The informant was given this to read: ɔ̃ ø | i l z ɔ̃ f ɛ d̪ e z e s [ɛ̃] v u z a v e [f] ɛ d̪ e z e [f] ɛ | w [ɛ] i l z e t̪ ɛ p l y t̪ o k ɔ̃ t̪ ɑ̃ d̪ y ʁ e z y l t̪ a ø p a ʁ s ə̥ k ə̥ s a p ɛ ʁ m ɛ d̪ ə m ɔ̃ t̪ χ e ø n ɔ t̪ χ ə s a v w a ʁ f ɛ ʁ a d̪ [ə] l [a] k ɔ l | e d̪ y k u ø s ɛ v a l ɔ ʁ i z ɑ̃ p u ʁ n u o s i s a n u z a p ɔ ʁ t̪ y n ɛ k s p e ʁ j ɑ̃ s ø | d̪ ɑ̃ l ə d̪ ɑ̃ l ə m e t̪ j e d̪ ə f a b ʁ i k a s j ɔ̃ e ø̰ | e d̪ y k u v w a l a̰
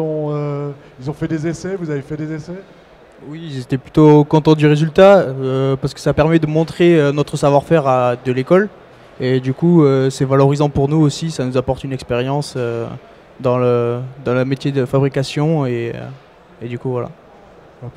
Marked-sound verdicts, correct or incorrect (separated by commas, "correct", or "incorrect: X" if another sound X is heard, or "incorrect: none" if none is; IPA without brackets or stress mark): incorrect: ɛ, correct, incorrect: s, incorrect: i, correct, incorrect: e